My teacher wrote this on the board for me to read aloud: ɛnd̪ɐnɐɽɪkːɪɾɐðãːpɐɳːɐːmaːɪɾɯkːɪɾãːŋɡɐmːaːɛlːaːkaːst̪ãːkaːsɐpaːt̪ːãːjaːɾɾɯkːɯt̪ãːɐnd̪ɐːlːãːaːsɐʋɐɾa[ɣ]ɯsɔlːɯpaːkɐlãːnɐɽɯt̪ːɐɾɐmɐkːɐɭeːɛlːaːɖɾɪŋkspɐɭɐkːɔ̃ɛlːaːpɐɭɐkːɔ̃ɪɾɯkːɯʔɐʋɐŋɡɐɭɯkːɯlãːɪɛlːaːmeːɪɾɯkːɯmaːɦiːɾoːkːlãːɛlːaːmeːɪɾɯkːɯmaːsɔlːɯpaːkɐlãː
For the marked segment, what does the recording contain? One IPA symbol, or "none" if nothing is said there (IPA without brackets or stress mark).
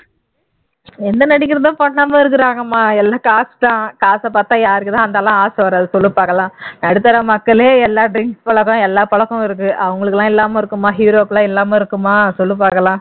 ð